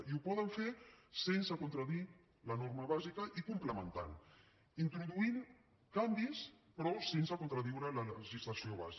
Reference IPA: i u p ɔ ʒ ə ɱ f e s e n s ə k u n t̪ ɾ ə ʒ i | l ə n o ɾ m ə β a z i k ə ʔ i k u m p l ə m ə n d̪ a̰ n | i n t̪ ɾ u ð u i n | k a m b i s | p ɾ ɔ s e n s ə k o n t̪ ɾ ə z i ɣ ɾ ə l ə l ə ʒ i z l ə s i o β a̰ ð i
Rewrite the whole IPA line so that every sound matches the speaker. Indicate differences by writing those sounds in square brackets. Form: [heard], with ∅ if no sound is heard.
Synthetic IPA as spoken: i u p ɔ [ð] ə ɱ f e s e n s ə k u n t̪ ɾ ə [ð] i | l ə n o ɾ m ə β a z i k ə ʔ i k u m p l ə m ə n [t̪] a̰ n | i n t̪ ɾ u ð u i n | k a m b i s | p ɾ ɔ s e n s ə k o n t̪ ɾ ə [ð] i [w] ɾ ə l ə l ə ʒ i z l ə s i o β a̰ [z] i